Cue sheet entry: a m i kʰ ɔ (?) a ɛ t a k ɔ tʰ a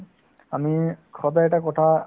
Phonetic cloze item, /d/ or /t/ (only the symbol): d